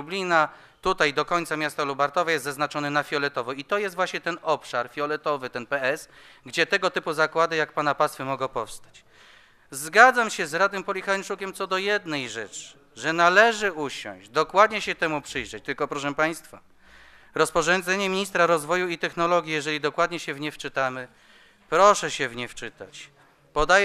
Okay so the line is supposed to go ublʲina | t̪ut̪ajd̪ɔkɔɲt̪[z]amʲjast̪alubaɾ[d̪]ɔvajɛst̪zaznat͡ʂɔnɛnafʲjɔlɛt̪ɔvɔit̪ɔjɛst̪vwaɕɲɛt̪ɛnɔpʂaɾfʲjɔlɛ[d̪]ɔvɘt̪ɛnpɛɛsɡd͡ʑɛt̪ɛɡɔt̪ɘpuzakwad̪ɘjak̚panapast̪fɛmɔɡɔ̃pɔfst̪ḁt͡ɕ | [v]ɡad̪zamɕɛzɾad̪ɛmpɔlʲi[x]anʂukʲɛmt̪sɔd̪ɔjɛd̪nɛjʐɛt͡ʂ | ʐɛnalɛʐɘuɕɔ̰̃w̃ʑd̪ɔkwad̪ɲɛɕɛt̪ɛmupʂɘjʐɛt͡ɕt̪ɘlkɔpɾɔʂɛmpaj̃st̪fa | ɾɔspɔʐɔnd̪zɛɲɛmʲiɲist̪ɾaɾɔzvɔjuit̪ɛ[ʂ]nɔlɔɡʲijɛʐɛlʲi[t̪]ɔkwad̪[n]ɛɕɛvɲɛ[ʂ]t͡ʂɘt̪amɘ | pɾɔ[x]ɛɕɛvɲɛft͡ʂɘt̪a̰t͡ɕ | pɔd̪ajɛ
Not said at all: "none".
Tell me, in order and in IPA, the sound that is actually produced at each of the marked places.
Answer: s, t̪, t̪, z, x, x, d̪, ɲ, f, ʂ

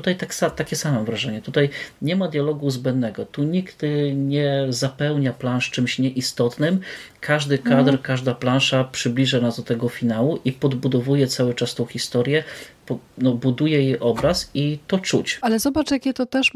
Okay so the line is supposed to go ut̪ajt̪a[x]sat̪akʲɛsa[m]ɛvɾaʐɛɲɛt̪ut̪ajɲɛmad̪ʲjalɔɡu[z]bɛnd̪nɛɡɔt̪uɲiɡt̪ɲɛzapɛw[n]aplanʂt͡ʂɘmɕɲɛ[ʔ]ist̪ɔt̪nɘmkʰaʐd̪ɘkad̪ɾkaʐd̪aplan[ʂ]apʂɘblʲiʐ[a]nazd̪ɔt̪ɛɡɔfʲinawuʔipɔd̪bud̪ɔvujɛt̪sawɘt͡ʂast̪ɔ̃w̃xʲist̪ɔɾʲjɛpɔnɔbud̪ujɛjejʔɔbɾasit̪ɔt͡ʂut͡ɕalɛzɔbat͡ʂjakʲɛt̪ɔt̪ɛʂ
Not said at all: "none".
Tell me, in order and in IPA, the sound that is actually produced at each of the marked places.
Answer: k, m, z, ɲ, ʔ, ʂ, a

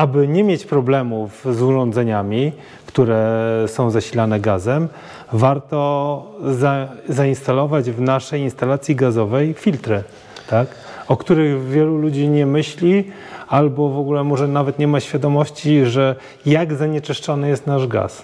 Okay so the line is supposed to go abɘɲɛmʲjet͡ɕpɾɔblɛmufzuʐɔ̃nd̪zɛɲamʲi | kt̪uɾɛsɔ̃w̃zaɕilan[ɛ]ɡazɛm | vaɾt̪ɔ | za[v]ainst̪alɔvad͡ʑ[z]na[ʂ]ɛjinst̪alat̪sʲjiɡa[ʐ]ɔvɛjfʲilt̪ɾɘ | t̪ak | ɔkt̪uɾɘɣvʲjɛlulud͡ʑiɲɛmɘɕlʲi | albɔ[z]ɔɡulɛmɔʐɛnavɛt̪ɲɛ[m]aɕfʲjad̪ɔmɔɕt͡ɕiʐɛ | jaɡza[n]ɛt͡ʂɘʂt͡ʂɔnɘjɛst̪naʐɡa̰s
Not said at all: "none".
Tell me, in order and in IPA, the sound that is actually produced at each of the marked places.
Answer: ɛ, z, v, ʂ, z, v, m, ɲ

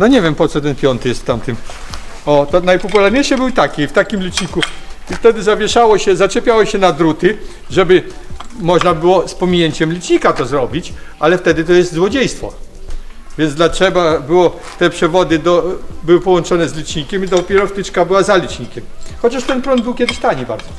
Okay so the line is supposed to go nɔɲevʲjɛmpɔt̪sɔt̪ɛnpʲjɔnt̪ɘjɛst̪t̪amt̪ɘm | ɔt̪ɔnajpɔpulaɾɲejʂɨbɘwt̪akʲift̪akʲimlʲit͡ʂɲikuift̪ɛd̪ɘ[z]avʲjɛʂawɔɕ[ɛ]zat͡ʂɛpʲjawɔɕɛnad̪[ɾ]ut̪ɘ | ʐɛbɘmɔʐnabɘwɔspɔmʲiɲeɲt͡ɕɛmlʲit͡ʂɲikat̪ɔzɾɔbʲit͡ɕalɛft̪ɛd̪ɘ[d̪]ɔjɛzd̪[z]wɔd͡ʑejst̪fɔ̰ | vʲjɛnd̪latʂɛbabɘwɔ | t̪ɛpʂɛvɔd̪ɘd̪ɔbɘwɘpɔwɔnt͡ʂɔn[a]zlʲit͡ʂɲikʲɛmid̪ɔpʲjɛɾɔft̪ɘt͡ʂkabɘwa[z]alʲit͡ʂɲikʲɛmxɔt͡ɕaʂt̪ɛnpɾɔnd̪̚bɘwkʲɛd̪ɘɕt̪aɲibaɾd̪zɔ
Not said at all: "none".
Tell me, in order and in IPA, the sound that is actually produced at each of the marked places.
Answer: z, ɛ, ɾ, t̪, z, ɛ, z

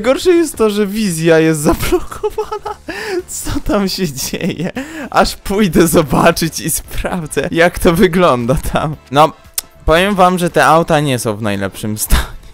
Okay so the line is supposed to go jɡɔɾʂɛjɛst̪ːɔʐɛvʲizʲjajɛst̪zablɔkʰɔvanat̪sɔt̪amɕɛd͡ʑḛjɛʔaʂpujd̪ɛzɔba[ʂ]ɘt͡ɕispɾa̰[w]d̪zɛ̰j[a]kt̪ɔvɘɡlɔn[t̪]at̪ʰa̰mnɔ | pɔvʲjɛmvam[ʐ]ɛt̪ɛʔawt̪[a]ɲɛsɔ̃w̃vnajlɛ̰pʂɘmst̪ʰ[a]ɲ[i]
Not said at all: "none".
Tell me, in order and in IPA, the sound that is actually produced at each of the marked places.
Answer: t͡ʂ, v, a, d̪, ʐ, a, a, ɛ

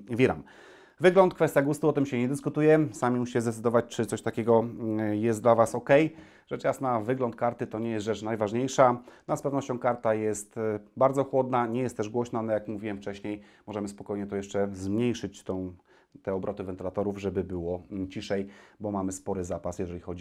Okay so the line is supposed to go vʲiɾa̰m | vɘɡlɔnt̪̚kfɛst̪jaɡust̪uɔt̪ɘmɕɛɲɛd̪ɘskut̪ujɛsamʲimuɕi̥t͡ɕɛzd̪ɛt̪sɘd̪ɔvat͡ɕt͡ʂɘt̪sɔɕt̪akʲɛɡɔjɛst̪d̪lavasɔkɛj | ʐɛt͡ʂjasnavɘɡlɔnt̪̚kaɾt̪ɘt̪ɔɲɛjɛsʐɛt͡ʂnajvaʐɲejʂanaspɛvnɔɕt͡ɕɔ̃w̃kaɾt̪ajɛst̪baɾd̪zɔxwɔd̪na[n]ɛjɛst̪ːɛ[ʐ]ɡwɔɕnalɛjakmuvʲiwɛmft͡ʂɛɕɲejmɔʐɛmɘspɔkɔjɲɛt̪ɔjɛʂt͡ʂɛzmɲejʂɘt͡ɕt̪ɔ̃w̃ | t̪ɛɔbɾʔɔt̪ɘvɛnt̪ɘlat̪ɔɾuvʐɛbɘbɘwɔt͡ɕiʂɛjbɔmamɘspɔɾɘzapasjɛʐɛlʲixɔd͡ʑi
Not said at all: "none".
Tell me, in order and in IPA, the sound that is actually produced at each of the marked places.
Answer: ɲ, ʐ

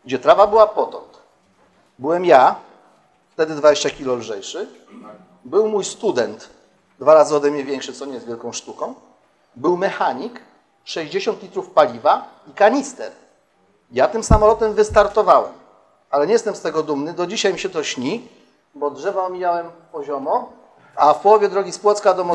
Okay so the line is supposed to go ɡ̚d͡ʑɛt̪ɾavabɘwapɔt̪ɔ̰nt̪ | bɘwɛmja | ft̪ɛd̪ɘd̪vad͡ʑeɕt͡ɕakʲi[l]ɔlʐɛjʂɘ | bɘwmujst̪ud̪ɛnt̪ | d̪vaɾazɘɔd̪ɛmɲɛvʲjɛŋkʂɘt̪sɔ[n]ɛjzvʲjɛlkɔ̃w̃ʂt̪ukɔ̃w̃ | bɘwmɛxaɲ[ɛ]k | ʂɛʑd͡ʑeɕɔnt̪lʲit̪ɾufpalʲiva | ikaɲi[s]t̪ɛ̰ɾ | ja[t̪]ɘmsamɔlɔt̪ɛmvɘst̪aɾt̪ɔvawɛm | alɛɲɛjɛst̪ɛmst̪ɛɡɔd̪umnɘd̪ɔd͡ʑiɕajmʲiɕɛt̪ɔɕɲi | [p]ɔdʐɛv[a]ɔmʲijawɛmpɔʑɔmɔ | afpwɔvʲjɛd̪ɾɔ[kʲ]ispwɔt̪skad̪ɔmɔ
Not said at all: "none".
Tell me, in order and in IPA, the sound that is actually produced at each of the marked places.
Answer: l, ɲ, i, s, t̪, b, a, ɡʲ

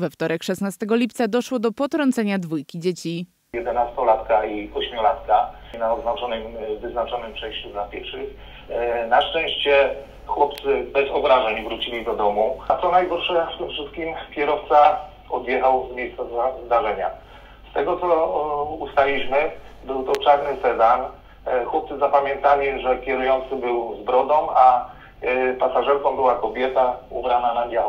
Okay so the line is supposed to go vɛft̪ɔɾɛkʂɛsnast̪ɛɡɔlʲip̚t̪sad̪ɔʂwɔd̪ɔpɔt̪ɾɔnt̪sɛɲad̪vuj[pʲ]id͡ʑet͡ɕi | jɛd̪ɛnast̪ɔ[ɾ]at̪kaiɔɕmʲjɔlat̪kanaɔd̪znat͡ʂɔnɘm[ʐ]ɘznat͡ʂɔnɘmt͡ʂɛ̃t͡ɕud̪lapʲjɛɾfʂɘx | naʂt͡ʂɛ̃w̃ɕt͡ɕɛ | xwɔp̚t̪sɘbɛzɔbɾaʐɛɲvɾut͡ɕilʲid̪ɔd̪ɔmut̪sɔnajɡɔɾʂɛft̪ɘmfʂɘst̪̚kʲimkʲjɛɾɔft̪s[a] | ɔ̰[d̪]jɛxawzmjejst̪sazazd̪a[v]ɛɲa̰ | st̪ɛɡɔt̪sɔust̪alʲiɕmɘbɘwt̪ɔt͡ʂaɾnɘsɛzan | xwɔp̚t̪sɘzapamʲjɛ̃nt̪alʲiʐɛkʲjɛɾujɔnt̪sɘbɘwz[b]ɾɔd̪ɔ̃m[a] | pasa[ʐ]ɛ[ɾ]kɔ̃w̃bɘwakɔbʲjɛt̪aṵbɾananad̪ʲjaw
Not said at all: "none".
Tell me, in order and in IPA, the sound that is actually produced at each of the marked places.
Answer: kʲ, l, v, a, d̪, ʐ, b, a, ʐ, ɾ

